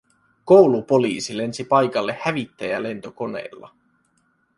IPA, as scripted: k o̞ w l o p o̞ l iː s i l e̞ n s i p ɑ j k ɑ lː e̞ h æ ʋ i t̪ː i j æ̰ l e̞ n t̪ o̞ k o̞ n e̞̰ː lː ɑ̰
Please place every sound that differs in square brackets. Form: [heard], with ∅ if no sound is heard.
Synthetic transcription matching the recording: k o̞ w l [u] p o̞ l iː s i l e̞ n s i p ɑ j k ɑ lː e̞ h æ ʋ i t̪ː [æ] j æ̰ l e̞ n t̪ o̞ k o̞ n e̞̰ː lː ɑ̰